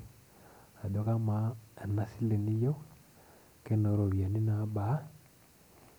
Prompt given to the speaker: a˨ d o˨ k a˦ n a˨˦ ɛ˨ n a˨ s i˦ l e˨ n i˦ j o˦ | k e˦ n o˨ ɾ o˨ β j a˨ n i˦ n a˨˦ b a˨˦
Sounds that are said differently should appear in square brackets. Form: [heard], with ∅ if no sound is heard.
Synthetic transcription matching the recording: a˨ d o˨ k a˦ [m] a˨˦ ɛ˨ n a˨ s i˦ l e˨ n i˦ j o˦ | k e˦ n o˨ ɾ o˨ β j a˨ n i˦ n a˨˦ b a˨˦